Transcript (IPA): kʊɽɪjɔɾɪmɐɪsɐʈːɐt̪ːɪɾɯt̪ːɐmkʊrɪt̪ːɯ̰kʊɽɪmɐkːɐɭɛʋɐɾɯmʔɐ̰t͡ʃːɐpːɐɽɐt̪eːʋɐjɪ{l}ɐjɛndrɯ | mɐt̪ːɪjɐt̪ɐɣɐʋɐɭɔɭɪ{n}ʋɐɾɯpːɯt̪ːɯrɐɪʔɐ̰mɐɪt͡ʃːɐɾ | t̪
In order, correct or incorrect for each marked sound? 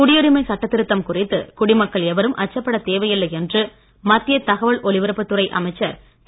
incorrect: lː, incorrect: none

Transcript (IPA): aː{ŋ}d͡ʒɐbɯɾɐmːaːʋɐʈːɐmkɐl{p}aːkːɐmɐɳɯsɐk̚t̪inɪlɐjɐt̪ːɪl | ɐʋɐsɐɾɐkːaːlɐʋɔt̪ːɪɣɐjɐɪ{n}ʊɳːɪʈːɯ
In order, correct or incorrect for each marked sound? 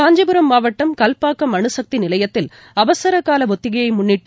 incorrect: ɲ, correct, incorrect: m

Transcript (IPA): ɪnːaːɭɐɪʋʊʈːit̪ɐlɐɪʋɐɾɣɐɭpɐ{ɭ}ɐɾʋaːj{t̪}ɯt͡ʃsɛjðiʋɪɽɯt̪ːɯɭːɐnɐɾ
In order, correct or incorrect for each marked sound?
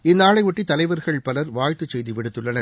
incorrect: l, correct

